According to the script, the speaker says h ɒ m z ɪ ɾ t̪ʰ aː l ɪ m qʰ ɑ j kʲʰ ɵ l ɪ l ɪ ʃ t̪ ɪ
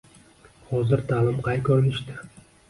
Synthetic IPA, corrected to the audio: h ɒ z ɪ ɾ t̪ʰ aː l ɪ m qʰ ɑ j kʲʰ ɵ ɾ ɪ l ɪ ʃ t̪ ɪ